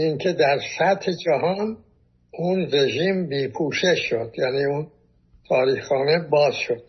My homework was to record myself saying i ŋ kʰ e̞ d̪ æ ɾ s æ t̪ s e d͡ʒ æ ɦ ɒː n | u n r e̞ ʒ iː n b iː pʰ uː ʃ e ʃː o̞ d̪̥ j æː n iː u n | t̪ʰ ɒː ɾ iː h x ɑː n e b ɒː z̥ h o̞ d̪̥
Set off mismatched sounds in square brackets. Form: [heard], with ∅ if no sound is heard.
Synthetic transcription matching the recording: i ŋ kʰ e̞ d̪ æ ɾ s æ t̪ [h] e d͡ʒ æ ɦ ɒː n | u n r e̞ ʒ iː [m] b iː pʰ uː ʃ e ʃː o̞ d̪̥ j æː n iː u n | t̪ʰ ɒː ɾ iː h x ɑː n e b ɒː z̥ [ʃ] o̞ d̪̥